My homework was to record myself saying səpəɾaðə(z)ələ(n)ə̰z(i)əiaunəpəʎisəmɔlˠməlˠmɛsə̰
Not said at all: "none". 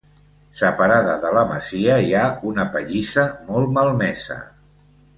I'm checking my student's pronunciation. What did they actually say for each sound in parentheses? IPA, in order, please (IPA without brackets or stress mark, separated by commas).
ð, m, i